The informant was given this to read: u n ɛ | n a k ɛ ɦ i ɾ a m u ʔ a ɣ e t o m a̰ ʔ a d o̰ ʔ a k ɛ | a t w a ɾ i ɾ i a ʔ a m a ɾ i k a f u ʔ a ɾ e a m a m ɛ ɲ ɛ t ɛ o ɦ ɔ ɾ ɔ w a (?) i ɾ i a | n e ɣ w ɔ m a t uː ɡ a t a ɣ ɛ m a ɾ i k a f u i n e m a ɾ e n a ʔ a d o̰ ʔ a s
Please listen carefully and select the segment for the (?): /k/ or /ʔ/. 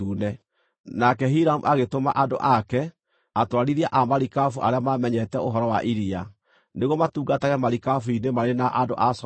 ʔ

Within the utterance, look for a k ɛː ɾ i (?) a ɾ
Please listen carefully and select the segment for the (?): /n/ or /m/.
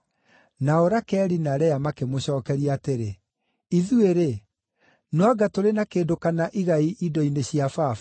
n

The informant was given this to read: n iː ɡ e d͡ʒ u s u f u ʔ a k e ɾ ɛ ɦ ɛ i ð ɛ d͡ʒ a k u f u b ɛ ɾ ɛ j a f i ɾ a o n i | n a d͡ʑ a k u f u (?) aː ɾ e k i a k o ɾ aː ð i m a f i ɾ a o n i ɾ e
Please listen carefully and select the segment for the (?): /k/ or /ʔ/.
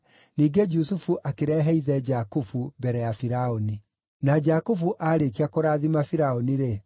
ʔ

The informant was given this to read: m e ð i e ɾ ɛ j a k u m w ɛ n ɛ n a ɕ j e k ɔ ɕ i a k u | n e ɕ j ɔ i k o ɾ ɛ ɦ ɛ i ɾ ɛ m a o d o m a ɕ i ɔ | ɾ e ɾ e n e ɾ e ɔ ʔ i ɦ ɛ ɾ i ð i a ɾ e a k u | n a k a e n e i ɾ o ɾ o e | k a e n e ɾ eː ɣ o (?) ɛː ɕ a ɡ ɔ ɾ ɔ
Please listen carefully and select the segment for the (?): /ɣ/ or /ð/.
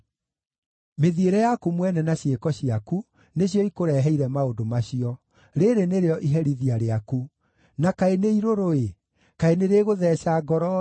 ð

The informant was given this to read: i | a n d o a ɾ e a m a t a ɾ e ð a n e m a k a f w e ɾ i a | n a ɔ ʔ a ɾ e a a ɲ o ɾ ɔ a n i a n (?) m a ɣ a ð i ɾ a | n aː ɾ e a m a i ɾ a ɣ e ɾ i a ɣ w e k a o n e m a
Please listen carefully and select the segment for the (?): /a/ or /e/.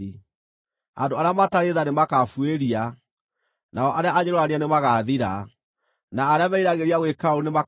e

